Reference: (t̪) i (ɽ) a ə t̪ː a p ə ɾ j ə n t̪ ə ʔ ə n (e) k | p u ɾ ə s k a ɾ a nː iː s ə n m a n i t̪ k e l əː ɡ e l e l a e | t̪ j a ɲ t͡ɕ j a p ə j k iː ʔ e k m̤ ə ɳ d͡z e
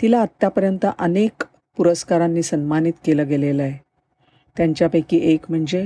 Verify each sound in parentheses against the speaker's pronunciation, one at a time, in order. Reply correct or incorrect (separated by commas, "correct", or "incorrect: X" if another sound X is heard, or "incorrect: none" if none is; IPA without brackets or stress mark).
correct, incorrect: l, correct